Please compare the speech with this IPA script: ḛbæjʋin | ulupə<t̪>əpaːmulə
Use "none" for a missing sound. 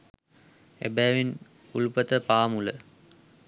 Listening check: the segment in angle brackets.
t̪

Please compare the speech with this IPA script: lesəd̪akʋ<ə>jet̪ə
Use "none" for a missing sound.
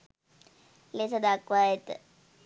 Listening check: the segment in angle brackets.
a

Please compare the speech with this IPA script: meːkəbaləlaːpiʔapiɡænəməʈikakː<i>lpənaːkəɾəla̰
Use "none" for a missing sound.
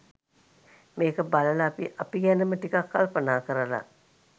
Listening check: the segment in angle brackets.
a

